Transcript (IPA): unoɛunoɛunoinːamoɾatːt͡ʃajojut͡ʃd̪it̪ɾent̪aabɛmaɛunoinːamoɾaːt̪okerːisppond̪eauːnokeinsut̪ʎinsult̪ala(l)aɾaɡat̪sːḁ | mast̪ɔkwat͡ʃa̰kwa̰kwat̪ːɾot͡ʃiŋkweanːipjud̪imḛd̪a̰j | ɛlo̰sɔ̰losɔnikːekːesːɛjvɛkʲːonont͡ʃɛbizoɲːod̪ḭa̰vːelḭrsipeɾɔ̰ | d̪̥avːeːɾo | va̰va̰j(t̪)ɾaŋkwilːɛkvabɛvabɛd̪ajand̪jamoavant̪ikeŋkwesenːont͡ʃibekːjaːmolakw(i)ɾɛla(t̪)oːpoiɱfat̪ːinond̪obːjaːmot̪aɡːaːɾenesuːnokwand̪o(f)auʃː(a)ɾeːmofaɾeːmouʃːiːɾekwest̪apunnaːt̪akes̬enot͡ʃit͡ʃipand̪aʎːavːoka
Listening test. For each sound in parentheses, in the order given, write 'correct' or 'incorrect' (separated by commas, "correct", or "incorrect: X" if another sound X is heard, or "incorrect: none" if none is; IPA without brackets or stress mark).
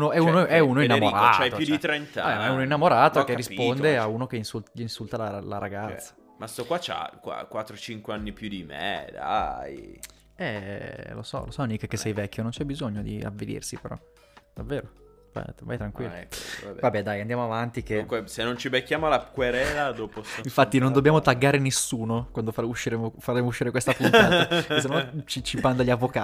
correct, correct, incorrect: e, incorrect: d̪, correct, incorrect: i